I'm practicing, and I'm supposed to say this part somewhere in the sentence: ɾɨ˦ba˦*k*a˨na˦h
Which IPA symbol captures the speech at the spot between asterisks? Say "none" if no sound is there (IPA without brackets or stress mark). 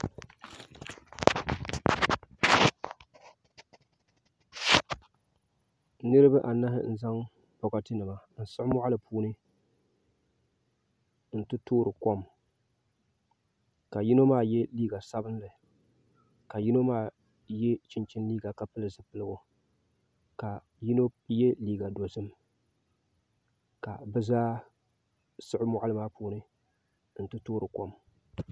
ʔ